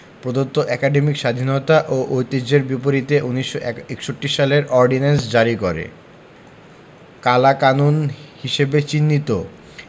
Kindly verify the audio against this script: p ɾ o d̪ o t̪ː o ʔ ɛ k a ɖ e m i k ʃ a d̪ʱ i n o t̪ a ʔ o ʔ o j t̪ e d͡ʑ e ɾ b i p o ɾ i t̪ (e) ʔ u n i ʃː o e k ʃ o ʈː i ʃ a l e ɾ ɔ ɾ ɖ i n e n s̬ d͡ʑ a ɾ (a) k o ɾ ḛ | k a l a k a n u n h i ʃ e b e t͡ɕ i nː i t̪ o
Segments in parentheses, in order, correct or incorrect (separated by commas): correct, incorrect